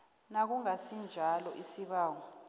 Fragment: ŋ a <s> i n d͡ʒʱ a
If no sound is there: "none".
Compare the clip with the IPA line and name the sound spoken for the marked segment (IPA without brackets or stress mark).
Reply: s